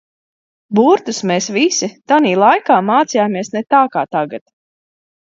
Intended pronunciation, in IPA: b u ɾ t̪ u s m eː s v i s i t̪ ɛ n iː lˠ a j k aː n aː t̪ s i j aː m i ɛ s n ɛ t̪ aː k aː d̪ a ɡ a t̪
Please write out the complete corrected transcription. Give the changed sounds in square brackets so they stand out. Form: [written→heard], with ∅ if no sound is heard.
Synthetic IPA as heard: b u ɾ t̪ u s m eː s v i s i t̪ [ɛ→a] n iː lˠ a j k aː [n→m] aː t̪ s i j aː m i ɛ s n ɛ t̪ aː k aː [d̪→t̪] a ɡ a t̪